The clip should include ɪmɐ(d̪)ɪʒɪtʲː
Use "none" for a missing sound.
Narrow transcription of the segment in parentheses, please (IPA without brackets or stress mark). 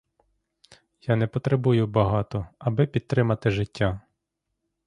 t̪